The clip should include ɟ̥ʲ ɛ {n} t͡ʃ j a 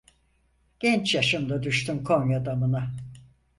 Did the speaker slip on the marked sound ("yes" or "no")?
no